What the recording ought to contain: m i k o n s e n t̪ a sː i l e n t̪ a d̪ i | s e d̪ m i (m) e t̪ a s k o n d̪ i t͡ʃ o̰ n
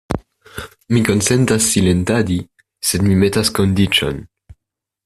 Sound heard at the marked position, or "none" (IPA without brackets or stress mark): m